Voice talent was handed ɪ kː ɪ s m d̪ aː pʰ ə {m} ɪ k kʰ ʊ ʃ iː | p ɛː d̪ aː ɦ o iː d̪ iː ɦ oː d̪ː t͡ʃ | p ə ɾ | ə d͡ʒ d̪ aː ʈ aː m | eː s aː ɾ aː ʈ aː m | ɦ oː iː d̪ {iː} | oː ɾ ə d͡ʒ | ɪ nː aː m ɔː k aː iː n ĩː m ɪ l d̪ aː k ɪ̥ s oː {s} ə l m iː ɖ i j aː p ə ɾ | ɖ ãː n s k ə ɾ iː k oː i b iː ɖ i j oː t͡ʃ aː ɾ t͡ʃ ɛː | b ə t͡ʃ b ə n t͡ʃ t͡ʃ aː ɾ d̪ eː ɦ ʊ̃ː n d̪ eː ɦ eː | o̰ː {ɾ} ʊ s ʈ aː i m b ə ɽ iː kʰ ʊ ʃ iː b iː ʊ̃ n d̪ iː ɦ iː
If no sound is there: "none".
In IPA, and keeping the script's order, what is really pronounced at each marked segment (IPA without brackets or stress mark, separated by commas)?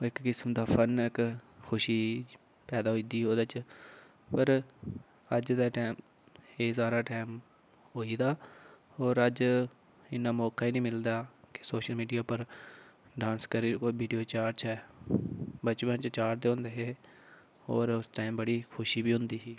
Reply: n, aː, ʃ, ɾ